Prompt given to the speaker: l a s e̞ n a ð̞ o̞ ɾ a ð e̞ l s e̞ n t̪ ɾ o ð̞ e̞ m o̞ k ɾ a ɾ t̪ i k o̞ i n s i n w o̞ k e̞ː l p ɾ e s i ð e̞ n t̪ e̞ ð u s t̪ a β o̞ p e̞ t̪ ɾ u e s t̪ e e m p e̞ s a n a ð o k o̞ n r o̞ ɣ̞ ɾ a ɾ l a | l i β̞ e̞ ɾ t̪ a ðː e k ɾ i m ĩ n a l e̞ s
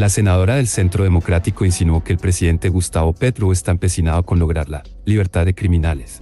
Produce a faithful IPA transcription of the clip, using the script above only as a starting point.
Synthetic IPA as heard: l a s e̞ n a ð̞ o̞ ɾ a ð e̞ l s e̞ n t̪ ɾ o ð̞ e̞ m o̞ k ɾ a t̪ i k o̞ i n s i n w o̞ k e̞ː l p ɾ e s i ð e̞ n t̪ e̞ ɣ u s t̪ a β o̞ p e̞ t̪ ɾ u e s t̪ a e m p e̞ s i n a ð o k o̞ n l o̞ ɣ̞ ɾ a ɾ l a | l i β̞ e̞ ɾ t̪ a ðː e k ɾ i m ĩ n a l e̞ s